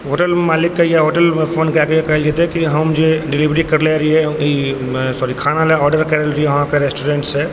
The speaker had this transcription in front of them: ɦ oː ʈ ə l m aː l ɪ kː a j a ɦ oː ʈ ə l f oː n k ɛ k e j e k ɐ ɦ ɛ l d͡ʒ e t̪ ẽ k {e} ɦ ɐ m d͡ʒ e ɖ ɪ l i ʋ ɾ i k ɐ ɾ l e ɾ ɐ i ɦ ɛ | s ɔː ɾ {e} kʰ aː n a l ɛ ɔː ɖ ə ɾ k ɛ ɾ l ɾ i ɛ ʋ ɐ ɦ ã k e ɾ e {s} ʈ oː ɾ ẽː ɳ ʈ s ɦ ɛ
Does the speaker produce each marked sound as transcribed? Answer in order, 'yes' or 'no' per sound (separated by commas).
no, no, yes